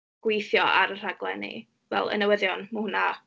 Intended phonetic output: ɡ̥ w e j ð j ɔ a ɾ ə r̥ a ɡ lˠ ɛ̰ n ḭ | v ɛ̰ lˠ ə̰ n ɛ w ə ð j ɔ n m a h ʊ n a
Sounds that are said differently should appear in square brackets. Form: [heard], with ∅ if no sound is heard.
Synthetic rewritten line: ɡ̥ w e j [θ] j ɔ a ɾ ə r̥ a ɡ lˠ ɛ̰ n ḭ | v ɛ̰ lˠ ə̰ n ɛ w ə ð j ɔ n m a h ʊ n a